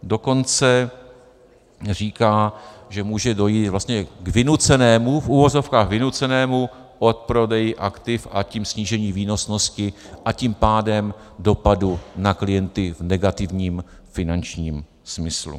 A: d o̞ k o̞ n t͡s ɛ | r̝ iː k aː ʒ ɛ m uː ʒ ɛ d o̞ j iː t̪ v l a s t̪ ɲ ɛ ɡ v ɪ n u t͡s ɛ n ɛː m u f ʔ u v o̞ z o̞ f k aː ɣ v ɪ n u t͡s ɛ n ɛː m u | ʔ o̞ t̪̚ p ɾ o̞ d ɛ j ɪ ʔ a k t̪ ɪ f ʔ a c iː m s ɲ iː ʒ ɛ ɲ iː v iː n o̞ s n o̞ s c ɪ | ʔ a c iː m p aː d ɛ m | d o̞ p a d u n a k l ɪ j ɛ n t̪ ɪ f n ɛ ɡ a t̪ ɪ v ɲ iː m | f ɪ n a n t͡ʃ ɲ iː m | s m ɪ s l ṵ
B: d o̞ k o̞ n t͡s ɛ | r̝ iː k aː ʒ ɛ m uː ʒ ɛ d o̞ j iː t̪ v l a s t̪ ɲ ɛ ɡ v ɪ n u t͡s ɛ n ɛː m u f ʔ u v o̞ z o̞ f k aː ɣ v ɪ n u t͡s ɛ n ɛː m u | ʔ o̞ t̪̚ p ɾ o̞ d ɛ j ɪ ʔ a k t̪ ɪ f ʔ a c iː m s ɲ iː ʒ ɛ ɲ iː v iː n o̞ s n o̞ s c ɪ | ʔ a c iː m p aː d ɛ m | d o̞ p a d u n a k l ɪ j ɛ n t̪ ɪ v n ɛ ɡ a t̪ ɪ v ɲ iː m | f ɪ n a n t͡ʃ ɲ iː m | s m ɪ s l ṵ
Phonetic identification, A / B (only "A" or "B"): B